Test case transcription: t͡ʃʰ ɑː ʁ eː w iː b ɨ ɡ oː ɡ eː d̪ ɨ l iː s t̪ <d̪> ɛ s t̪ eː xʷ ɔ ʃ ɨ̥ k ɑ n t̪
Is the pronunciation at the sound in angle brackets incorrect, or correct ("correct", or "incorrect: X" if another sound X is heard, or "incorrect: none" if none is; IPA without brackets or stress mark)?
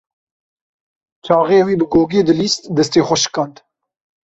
correct